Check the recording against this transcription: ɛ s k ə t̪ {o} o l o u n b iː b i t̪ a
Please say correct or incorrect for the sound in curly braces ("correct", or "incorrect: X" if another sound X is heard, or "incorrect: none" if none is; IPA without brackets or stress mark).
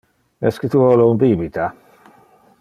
incorrect: u